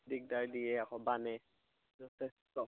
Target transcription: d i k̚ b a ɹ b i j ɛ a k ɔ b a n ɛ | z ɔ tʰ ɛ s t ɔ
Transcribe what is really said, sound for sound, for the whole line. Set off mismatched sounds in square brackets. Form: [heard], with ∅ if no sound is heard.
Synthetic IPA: d i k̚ [d] a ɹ [d] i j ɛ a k ɔ b a n ɛ | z ɔ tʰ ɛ s t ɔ